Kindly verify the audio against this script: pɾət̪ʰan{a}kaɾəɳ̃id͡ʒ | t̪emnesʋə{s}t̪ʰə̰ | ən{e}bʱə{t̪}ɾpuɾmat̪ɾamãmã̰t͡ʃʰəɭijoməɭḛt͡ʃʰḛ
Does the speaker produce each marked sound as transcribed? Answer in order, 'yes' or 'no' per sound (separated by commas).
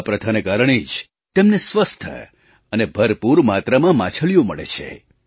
no, yes, yes, no